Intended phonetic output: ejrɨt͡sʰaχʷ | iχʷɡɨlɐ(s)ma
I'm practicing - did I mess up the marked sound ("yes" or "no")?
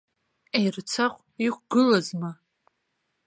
yes